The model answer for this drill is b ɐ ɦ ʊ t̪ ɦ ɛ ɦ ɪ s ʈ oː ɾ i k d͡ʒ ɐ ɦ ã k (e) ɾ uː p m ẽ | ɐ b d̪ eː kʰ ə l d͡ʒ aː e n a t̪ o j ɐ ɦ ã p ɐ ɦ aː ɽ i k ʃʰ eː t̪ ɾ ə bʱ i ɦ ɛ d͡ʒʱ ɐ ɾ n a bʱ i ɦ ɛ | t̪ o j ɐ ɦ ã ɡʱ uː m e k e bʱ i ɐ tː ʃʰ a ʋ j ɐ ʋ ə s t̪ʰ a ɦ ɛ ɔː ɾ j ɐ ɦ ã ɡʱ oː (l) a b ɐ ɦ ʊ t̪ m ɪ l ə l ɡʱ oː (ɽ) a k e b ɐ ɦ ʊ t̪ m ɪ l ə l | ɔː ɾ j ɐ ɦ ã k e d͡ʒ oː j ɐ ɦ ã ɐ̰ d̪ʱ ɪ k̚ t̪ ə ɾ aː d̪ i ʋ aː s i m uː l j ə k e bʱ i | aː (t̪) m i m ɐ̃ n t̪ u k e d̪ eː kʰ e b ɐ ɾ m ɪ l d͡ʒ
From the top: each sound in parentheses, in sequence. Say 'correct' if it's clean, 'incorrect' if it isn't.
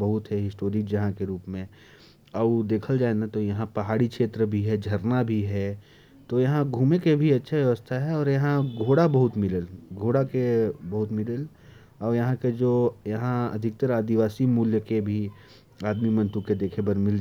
correct, incorrect, correct, incorrect

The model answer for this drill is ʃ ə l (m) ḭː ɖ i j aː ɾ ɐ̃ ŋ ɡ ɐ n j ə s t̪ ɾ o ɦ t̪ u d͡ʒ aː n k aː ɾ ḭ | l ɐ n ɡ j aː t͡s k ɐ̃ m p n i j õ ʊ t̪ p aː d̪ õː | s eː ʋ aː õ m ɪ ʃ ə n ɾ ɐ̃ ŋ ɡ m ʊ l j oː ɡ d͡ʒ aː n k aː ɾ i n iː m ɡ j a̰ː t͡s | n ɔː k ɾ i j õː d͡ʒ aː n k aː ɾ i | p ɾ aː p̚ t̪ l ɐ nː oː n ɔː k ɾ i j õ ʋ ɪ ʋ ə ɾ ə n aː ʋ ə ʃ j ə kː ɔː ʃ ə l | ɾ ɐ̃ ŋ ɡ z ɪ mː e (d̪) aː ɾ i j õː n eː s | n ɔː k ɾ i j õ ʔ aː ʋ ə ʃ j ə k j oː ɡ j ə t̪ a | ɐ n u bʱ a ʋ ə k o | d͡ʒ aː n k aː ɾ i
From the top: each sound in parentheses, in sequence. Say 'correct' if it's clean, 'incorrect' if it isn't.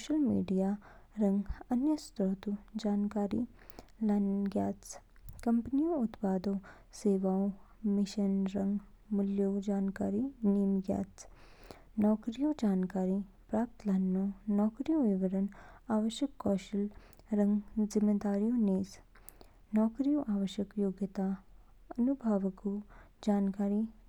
correct, correct

